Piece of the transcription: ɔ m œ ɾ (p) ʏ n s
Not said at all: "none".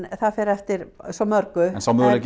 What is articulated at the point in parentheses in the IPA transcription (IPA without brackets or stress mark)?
k